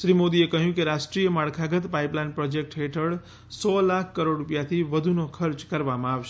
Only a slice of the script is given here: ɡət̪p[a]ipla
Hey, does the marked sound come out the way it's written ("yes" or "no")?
yes